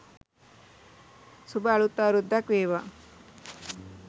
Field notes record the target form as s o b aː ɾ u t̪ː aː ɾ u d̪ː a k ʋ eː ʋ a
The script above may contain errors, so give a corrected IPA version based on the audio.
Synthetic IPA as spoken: s u b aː ɭ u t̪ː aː ɾ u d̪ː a k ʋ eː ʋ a